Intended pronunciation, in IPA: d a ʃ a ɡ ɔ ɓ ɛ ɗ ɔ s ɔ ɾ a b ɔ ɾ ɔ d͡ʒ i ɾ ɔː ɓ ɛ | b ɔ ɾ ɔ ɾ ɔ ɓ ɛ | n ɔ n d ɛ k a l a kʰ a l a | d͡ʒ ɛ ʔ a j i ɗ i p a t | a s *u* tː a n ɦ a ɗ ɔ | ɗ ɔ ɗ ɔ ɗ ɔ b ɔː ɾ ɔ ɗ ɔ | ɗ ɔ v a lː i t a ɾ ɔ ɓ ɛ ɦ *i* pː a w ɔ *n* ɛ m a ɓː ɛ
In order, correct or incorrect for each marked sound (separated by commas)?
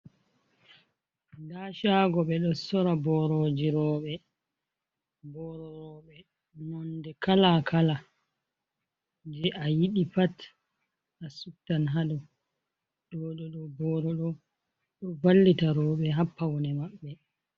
correct, incorrect, correct